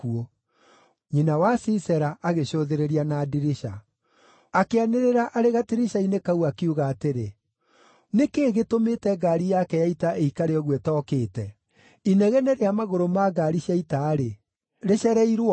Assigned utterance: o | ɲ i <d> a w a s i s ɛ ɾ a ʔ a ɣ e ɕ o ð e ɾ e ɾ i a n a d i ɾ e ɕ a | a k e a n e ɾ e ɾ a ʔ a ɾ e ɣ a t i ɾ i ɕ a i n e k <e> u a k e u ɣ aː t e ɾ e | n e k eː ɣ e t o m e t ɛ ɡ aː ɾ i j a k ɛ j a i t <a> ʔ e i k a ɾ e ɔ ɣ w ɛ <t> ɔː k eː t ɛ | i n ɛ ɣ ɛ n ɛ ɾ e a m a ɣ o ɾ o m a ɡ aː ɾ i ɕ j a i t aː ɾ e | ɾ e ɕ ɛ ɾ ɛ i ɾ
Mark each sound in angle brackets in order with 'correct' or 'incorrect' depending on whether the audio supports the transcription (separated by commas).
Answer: incorrect, incorrect, correct, correct